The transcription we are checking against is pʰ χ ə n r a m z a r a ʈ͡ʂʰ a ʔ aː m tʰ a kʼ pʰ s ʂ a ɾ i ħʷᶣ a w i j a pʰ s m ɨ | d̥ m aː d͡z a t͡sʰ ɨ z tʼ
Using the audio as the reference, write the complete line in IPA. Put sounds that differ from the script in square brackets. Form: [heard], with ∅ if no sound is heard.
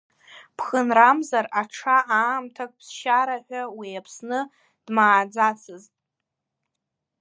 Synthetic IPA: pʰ χ ə n r a m z a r a ʈ͡ʂʰ a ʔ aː m tʰ a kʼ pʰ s [ʃ] a ɾ [a] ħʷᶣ a w i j a pʰ s [n] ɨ | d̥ m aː d͡z a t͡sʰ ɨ z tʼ